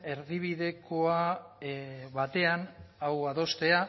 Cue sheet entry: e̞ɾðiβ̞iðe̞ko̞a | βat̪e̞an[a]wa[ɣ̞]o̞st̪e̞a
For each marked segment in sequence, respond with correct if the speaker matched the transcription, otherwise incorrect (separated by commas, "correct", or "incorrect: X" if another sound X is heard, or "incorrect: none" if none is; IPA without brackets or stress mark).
correct, incorrect: ð̞